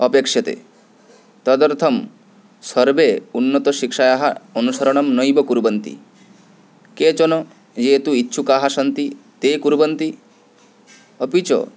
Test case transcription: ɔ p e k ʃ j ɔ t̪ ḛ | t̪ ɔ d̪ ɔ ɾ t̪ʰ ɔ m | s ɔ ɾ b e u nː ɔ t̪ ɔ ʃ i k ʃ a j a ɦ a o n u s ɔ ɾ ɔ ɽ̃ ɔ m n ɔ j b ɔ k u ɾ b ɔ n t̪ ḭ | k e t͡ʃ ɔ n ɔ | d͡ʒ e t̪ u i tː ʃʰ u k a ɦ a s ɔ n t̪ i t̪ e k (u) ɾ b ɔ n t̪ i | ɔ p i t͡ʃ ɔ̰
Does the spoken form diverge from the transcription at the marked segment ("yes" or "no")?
no